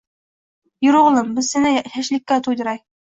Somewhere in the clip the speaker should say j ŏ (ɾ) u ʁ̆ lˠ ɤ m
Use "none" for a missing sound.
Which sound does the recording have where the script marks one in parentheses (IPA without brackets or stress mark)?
ɾ